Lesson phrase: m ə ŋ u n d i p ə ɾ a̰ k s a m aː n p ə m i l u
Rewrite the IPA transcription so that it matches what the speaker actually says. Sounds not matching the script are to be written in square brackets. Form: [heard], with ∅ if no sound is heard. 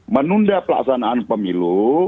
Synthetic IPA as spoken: m ə [n] u n d [a] p ə [l] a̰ k s a [n] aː n p ə m i l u